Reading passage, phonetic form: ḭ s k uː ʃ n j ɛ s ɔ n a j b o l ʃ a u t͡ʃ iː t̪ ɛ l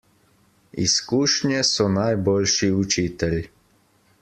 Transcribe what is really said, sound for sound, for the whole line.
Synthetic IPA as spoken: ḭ s k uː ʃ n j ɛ s ɔ n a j b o l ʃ i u t͡ʃ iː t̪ ɛ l

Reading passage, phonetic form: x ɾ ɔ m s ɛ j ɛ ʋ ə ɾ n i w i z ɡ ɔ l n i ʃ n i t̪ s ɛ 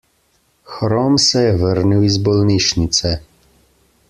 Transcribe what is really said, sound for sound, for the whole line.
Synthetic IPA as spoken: x ɾ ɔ m s ɛ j ɛ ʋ ə ɾ n i w i z b ɔ l n i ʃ n i t̪ s ɛ

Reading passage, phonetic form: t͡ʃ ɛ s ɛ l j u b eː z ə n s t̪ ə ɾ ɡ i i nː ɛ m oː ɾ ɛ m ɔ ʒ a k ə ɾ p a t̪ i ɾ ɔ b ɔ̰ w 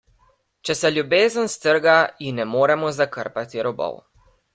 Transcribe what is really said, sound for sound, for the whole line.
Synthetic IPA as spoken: t͡ʃ ɛ s ɛ l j u b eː z ə n s t̪ ə ɾ ɡ a i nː ɛ m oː ɾ ɛ m ɔ z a k ə ɾ p a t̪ i ɾ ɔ b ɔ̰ w

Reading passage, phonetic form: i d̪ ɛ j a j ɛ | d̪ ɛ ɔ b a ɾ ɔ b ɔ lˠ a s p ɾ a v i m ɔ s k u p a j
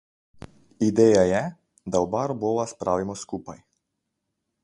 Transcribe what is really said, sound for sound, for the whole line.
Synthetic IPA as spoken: i d̪ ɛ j a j ɛ | d̪ a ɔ b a ɾ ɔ b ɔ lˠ a s p ɾ a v i m ɔ s k u p a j

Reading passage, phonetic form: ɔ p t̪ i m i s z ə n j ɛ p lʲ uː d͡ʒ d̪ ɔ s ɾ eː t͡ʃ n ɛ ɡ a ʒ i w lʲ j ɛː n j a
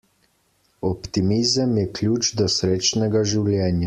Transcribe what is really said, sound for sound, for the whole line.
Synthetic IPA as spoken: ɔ p t̪ i m i z ə m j ɛ k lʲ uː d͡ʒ d̪ ɔ s ɾ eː t͡ʃ n ɛ ɡ a ʒ i w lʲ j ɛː n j a

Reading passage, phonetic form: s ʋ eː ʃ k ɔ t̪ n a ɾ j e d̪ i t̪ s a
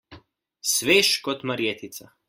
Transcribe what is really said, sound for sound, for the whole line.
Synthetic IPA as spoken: s ʋ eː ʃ k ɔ t̪ m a ɾ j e t̪ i t̪ s a

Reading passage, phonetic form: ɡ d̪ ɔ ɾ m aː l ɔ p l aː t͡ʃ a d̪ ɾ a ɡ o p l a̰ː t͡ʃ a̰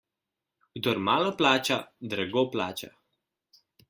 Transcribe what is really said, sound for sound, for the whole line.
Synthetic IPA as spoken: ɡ d̪ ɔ ɾ m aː l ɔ p l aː t͡ʃ a d̪ ɾ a ɡ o p l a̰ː t͡ʃ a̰

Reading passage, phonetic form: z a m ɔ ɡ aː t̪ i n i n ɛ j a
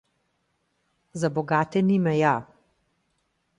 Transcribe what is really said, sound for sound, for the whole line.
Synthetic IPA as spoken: z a b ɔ ɡ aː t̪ ɛ n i m ɛ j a

